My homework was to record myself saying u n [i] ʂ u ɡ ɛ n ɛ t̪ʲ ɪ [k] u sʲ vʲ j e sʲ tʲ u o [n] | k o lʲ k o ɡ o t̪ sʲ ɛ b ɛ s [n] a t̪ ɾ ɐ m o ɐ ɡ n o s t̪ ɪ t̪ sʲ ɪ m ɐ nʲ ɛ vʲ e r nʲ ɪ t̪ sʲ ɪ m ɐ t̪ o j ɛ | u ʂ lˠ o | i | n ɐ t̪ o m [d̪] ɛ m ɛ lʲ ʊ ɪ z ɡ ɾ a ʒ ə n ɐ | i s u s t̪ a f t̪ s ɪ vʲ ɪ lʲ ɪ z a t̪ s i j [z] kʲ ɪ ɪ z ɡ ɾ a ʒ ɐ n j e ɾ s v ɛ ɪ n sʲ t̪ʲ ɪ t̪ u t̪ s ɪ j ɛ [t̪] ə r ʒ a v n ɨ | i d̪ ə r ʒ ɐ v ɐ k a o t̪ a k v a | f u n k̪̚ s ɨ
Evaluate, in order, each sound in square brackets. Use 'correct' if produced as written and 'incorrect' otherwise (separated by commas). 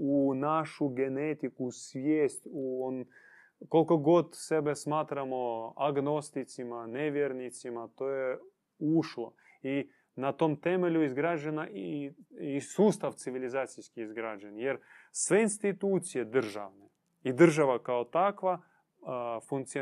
incorrect, correct, correct, incorrect, incorrect, incorrect, incorrect